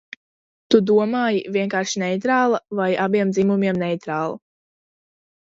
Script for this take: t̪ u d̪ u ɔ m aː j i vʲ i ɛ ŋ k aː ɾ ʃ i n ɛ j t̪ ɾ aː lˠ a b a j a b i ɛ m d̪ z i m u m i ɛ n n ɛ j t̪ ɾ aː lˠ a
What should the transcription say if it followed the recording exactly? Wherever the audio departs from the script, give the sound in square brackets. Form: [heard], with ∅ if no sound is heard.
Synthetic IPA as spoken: t̪ u d̪ u ɔ m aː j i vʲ i ɛ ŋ k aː ɾ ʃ i n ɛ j t̪ ɾ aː lˠ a [v] a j a b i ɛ m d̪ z i m u m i ɛ [m] n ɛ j t̪ ɾ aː lˠ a